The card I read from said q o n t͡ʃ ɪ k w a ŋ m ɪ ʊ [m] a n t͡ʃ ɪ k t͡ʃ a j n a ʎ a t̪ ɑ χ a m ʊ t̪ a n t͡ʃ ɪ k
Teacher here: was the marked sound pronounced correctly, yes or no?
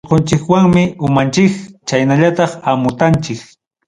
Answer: yes